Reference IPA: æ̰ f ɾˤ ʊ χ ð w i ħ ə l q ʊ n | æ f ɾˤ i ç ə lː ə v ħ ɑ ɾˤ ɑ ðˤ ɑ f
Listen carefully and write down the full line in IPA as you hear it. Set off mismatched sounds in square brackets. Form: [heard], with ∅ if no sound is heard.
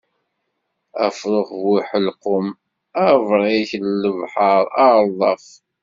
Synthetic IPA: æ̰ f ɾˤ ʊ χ [v] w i ħ ə l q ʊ [m] | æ [v] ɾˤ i ç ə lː ə v ħ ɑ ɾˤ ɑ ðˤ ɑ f